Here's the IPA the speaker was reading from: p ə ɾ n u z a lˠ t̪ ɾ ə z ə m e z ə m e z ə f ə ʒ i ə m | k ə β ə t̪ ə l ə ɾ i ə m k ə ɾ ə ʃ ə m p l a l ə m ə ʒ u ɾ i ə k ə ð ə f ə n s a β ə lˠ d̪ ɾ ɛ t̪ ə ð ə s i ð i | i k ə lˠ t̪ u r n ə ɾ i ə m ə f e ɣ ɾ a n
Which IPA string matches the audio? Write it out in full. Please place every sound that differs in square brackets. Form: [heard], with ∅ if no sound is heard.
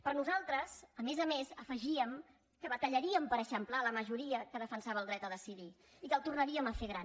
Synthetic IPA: p ə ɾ n u z a lˠ t̪ ɾ ə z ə m e z ə m e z ə f ə ʒ i ə m | k ə β ə t̪ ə [ʎ] ə ɾ i ə m [p] ə ɾ ə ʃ ə m p l a l ə m ə ʒ u ɾ i ə k ə ð ə f ə n s a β ə lˠ d̪ ɾ ɛ t̪ ə ð ə s i ð i | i k ə lˠ t̪ u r n ə ɾ i ə m ə f e ɣ ɾ a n